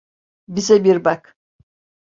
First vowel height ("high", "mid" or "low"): high